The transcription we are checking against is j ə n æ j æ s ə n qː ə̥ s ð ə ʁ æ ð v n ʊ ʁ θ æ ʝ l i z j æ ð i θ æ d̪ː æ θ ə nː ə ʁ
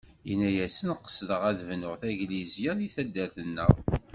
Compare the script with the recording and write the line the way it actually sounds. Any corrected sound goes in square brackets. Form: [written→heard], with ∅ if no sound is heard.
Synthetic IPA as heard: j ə n æ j æ s ə n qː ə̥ s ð ə ʁ æ ð v n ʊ ʁ θ æ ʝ l i z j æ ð i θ æ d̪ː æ θ ə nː ə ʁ

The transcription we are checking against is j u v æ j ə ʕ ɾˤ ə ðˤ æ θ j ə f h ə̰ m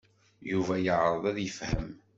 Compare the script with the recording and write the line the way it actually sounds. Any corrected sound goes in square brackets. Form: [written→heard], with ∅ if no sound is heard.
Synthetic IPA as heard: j u v æ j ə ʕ ɾˤ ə ðˤ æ [θ→ð] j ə f h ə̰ m

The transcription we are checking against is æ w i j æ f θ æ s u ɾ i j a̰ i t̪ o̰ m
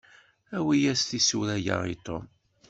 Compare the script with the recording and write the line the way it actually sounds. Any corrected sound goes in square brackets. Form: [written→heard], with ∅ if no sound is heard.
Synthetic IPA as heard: æ w i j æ [f→s] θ [æ→i] s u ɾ [i→æ] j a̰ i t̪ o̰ m

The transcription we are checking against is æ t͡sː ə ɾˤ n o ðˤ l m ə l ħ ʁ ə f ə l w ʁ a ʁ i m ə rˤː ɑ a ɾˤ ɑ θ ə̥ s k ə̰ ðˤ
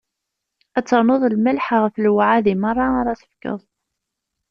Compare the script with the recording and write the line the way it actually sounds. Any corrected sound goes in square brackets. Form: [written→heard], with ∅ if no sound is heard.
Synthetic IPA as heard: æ t͡sː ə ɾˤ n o ðˤ l m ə l ħ ʁ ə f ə l w [ʁ→ʕ] a [ʁ→ð] i m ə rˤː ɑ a ɾˤ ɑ θ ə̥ [s→f] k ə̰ ðˤ

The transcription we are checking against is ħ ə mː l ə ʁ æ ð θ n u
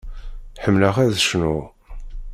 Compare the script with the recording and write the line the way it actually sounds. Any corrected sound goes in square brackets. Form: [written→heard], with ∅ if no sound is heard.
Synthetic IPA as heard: ħ ə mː l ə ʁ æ ð [θ→ʃ] n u

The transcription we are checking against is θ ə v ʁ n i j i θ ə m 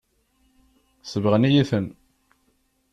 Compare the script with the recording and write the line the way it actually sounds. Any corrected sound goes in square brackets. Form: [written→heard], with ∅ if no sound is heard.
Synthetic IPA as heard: [θ→s] ə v ʁ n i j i θ ə [m→n]

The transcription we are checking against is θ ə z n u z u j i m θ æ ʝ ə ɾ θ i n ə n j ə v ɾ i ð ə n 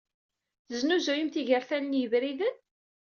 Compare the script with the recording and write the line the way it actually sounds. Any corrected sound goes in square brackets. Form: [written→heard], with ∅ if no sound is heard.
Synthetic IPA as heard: θ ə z n u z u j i m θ [æ→i] ʝ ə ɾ θ [i→æ] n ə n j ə v ɾ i ð ə n

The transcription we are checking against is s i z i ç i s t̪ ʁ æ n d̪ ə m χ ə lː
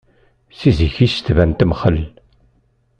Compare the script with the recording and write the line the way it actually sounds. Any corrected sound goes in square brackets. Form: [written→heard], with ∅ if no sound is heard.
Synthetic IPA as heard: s i z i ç i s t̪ [ʁ→v] æ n [d̪→t̪] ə m χ ə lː

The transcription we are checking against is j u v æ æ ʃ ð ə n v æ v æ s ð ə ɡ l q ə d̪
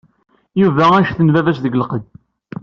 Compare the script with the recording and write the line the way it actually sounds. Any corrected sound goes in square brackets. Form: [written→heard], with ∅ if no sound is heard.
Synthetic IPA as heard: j u v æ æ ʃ [ð→θ] ə n v æ v æ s ð ə ɡ l q ə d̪

